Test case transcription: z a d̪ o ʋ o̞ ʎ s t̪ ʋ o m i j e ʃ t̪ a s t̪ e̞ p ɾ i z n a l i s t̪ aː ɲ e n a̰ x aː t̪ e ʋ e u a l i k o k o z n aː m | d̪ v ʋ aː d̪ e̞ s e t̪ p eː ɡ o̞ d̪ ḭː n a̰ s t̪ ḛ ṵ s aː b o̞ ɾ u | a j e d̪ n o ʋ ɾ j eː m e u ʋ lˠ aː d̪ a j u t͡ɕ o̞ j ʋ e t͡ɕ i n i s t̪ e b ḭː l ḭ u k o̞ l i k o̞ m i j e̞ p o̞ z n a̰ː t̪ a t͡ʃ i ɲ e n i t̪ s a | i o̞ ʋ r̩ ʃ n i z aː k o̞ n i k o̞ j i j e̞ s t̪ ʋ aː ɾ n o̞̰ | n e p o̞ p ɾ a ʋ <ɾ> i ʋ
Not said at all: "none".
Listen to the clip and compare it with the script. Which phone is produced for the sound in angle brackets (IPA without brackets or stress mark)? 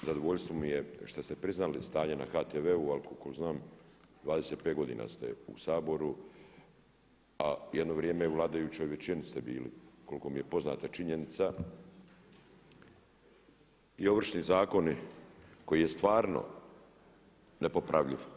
ʎ